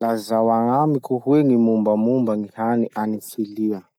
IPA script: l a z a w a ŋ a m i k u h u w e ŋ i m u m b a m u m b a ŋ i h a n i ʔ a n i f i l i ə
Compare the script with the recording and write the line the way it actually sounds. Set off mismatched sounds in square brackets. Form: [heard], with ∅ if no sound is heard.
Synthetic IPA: l a z a w a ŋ a m i k u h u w e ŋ i m u m b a m u m b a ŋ i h a n i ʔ a n i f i l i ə